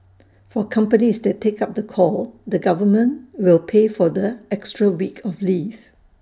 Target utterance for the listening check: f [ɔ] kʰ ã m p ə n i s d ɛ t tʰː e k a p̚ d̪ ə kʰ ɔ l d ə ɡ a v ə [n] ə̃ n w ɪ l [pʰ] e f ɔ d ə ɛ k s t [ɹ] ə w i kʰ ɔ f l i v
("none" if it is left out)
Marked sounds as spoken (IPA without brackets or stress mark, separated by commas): ɔ, m, pʰ, ɹ